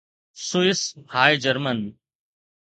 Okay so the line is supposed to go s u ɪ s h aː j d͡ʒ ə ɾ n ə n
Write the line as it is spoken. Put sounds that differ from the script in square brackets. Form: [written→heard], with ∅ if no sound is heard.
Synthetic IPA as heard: s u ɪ s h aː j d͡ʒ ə ɾ [n→m] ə n